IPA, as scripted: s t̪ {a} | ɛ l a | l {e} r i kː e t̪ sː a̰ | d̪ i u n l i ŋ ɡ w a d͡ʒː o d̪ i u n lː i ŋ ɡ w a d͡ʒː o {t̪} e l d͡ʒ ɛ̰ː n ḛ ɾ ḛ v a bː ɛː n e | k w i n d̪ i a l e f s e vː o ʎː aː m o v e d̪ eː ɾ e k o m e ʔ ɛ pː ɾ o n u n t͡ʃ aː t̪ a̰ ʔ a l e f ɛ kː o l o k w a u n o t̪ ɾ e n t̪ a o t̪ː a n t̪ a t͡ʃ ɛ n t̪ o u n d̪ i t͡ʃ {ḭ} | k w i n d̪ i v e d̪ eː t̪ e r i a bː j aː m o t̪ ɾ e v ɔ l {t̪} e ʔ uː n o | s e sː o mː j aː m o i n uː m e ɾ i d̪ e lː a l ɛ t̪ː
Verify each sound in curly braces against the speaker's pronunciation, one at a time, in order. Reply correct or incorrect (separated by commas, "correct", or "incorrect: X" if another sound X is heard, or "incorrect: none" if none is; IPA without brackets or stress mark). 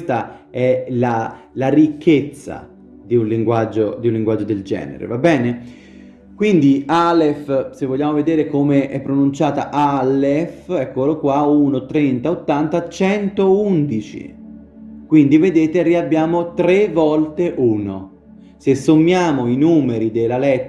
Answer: correct, incorrect: a, incorrect: d̪, correct, correct